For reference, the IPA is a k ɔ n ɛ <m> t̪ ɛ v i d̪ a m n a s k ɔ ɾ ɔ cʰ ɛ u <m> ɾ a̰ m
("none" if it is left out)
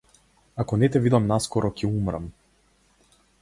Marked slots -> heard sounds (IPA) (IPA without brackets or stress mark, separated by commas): none, m